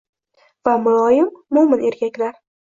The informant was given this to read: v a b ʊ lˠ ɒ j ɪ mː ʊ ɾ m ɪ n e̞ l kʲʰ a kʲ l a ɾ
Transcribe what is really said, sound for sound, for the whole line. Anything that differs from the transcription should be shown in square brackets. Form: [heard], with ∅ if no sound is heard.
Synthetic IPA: v a [m] ʊ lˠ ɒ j ɪ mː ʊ [∅] m ɪ n e̞ [ɾ] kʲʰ a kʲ l a ɾ

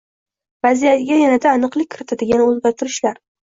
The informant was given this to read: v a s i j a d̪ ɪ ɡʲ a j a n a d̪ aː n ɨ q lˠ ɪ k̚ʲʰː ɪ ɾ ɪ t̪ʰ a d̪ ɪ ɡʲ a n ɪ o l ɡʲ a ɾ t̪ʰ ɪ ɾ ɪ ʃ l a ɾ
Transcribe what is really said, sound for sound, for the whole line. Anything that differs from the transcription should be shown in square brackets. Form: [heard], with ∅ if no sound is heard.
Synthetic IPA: v a [z] i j a [t̪] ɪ ɡʲ a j a n a d̪ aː n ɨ q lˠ ɪ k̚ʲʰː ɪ ɾ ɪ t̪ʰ a d̪ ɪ ɡʲ a n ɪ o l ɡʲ a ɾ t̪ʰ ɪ ɾ ɪ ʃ l a ɾ

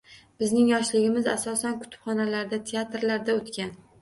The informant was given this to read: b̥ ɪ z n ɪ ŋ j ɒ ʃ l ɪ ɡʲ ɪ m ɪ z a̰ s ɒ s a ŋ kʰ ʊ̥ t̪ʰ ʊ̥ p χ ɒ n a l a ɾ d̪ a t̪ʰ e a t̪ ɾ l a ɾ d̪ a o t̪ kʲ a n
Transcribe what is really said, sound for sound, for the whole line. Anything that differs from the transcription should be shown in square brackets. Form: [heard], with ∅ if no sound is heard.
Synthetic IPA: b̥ ɪ z n ɪ ŋ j ɒ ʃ l ɪ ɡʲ ɪ m ɪ z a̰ s ɒ s a [n] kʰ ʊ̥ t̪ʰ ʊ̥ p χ ɒ n a l a ɾ d̪ a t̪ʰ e a t̪ ɾ l a ɾ d̪ a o t̪ kʲ a n

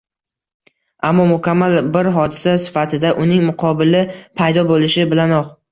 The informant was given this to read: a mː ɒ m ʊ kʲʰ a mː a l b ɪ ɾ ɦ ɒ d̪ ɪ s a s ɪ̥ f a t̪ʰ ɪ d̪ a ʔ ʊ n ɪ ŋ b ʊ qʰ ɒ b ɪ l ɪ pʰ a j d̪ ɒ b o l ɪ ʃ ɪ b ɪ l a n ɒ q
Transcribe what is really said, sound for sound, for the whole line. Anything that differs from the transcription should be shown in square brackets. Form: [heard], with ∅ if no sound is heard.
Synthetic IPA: a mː ɒ m ʊ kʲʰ a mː a l b ɪ ɾ ɦ ɒ d̪ ɪ s a s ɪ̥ f a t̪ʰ ɪ d̪ a ʔ ʊ n ɪ ŋ [m] ʊ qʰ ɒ b ɪ l ɪ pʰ a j d̪ ɒ b o l ɪ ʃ ɪ b ɪ l a n ɒ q

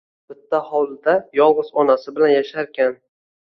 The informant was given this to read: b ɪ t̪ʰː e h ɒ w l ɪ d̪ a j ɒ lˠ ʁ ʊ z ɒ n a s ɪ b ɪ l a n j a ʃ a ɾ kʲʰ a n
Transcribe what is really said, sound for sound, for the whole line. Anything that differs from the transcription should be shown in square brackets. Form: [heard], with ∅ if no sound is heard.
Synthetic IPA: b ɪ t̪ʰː [a] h ɒ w l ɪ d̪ a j ɒ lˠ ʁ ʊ z ɒ n a s ɪ b ɪ l a n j a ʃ a ɾ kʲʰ a n

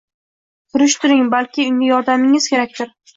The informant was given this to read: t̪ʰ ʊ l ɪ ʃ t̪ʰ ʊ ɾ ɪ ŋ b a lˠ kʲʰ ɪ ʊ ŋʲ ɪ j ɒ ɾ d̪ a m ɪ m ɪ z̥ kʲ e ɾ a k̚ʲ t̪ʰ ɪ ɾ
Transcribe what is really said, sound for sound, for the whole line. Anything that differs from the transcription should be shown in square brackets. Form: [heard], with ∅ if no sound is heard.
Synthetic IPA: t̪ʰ ʊ [ɾ] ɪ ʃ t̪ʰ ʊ ɾ ɪ ŋ b a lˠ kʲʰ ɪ ʊ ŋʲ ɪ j ɒ ɾ d̪ a m ɪ [ŋ] ɪ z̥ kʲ e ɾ a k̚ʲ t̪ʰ ɪ ɾ

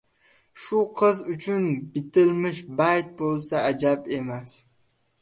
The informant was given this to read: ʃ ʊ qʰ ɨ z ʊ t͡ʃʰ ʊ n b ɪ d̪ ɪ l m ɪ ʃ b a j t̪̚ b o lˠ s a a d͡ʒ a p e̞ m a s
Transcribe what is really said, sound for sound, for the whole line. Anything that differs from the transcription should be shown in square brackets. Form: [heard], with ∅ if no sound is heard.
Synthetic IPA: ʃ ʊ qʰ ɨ z ʊ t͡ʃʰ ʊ n b ɪ [t̪] ɪ l m ɪ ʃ b a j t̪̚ b o lˠ s a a d͡ʒ a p e̞ m a s

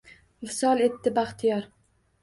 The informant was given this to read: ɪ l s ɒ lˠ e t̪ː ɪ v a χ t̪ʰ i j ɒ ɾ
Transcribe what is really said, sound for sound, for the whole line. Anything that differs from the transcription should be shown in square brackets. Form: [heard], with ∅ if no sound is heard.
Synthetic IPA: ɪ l s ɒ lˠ e t̪ː ɪ [b] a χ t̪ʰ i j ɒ ɾ

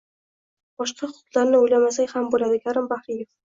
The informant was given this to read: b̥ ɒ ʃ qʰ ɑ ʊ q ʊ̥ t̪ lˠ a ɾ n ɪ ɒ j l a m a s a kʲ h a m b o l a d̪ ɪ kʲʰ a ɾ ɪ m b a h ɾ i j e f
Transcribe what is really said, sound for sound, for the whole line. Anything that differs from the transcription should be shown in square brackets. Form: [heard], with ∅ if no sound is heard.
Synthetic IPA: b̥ ɒ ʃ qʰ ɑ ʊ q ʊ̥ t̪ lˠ a ɾ n ɪ [o] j l a m a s a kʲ h a m b o l a d̪ ɪ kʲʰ a ɾ ɪ m b a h ɾ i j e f

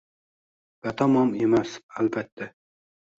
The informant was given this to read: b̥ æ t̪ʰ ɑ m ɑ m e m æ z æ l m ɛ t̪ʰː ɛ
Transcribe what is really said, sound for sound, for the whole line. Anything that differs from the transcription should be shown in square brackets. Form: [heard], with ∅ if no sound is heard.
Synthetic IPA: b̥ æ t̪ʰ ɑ m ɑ m e m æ [s] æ l [b] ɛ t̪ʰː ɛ

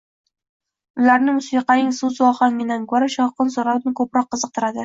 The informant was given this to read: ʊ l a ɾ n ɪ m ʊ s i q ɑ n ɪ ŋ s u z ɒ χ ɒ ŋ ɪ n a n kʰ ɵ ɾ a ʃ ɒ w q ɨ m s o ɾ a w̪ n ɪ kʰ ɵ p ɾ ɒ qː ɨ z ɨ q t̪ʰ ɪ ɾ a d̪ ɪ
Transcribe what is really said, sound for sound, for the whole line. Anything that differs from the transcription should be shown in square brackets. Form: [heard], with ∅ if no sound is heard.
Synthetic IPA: ʊ l a ɾ n ɪ m ʊ s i q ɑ n ɪ ŋ s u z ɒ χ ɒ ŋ ɪ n a n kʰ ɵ ɾ a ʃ ɒ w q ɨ [n] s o ɾ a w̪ n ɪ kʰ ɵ p ɾ ɒ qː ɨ z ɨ q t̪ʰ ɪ ɾ a d̪ ɪ

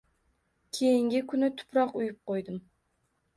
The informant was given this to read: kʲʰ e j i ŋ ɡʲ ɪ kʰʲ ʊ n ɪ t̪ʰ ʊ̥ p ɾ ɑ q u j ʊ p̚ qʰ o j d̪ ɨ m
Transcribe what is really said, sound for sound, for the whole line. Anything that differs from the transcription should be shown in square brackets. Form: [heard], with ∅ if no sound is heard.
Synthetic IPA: kʲʰ e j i ŋ ɡʲ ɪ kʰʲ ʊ n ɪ t̪ʰ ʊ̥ p ɾ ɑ q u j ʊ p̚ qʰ o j d̪ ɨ m

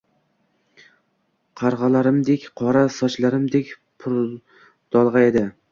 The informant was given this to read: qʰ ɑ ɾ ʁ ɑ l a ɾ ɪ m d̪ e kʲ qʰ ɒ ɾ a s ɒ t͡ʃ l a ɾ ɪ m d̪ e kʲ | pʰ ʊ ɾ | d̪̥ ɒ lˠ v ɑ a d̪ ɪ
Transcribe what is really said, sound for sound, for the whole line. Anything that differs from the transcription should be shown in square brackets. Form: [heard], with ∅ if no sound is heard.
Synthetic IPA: qʰ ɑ ɾ ʁ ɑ l a ɾ ɪ m d̪ e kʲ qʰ ɒ ɾ a s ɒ t͡ʃ l a ɾ ɪ m d̪ e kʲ | pʰ ʊ ɾ | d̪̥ ɒ lˠ [ʁ] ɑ [e] d̪ ɪ

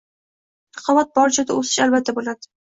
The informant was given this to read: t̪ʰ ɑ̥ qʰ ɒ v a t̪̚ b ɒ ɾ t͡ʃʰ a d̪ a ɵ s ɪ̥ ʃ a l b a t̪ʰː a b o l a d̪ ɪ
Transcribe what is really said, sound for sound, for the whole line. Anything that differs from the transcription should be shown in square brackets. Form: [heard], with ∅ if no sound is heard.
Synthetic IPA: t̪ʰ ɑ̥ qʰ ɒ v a t̪̚ b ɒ ɾ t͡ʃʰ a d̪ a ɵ s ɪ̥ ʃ a l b a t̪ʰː a b o l a d̪ ɪ

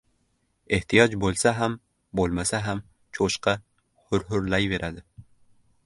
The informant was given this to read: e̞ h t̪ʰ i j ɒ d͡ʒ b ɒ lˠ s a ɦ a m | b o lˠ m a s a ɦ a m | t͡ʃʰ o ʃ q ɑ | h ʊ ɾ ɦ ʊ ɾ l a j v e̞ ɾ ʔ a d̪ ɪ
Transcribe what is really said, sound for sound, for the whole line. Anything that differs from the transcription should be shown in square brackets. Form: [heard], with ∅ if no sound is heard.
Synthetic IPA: e̞ h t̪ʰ i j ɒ d͡ʒ b [o] lˠ s a ɦ a m | b o lˠ m a s a ɦ a m | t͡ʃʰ o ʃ q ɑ | h ʊ ɾ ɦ ʊ ɾ l a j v e̞ ɾ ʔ a d̪ ɪ

